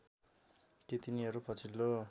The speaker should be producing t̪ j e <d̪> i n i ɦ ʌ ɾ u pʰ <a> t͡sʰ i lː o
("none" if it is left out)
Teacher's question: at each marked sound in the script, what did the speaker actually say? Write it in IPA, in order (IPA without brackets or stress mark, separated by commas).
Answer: t̪, ʌ